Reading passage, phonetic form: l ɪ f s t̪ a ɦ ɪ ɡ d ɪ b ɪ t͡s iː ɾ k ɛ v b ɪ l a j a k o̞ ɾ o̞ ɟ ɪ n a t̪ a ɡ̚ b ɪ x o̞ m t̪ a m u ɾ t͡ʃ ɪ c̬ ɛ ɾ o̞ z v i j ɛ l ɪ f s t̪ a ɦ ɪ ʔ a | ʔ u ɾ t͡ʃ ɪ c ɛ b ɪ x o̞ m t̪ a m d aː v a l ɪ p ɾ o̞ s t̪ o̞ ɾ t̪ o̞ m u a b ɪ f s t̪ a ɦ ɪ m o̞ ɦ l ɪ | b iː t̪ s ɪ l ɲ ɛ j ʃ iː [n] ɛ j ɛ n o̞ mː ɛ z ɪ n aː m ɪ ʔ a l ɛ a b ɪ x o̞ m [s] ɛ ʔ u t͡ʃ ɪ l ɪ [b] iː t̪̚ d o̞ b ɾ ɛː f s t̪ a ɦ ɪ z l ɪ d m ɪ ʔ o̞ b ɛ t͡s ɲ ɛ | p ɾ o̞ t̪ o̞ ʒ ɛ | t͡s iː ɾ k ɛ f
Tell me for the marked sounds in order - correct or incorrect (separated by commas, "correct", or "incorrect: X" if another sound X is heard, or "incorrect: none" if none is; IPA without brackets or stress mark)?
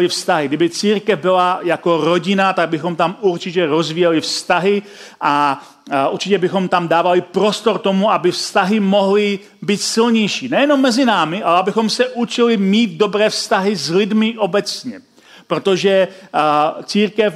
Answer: correct, correct, incorrect: m